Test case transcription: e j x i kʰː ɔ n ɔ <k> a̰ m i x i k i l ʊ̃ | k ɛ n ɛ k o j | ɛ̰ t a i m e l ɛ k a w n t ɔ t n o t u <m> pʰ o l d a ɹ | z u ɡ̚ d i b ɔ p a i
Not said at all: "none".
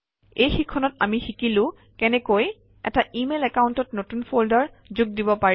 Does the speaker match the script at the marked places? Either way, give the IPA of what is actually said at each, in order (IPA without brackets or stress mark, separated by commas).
t, n